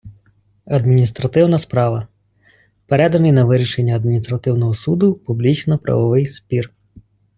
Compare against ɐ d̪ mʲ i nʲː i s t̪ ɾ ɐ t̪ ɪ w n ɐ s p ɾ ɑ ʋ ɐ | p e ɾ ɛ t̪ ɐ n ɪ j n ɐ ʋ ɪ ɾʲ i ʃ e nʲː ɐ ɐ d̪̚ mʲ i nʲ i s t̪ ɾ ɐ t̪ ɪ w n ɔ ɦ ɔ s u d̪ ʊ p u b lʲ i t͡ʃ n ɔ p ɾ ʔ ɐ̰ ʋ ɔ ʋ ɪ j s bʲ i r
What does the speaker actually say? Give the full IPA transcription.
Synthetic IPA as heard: ɐ d̪ mʲ i nʲ i s t̪ ɾ ɐ t̪ ɪ w n ɐ s p ɾ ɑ ʋ ɐ | p e ɾ ɛ d̪ ɐ n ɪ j n ɐ ʋ ɪ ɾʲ i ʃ e nʲː ɐ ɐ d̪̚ mʲ i nʲ i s t̪ ɾ ɐ t̪ ɪ w n ɔ ɦ ɔ s u d̪ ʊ p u b lʲ i t͡ʃ n ɔ p ɾ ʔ ɐ̰ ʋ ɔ ʋ ɪ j s pʲ i r